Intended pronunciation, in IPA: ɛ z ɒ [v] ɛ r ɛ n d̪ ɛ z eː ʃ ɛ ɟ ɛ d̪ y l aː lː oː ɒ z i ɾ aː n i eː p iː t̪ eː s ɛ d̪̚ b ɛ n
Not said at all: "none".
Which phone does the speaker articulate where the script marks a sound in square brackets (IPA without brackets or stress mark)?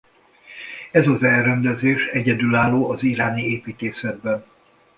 z